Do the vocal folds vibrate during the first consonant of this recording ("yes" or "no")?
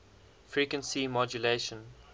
no